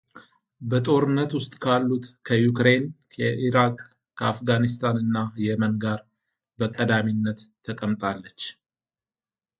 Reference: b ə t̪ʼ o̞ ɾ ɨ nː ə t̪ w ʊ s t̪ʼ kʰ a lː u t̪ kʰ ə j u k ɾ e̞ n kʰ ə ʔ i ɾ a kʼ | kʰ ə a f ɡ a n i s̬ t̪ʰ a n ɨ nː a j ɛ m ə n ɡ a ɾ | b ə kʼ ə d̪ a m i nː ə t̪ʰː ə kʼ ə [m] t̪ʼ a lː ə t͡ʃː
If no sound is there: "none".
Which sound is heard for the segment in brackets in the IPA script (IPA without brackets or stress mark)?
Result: m